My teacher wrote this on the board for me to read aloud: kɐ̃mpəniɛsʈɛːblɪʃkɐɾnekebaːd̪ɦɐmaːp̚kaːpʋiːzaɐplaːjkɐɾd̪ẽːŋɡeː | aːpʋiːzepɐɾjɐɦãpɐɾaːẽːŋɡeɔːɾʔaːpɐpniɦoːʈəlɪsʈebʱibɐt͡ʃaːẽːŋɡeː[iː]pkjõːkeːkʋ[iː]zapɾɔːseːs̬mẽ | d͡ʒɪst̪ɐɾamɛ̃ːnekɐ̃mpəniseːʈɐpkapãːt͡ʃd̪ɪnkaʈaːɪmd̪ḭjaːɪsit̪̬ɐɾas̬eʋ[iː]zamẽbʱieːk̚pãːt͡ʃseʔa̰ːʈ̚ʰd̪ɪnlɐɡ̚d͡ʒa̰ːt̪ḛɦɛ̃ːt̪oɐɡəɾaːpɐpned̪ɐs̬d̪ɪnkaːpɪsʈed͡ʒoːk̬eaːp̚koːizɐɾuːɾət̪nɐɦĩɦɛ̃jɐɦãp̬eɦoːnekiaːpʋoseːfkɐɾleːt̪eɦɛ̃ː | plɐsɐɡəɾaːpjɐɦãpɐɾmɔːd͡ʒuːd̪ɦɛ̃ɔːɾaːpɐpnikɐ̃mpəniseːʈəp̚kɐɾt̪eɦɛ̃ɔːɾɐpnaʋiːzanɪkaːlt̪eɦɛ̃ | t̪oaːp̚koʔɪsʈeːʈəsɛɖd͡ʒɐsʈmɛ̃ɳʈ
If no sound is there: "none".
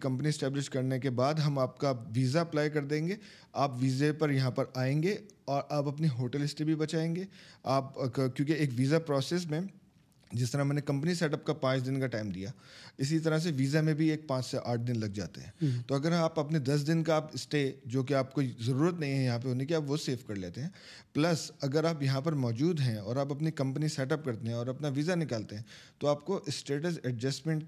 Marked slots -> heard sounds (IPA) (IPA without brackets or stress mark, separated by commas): aː, iː, iː